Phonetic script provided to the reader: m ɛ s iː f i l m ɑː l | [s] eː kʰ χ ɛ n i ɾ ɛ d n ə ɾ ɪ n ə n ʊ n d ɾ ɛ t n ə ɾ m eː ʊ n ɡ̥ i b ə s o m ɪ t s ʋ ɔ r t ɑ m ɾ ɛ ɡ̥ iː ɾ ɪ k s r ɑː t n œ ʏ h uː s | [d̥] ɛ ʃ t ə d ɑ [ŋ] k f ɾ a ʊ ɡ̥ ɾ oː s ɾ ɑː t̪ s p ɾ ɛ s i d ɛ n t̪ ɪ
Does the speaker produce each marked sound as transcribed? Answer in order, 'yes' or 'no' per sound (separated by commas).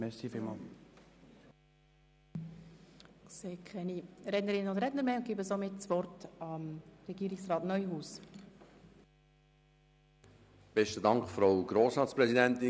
yes, no, yes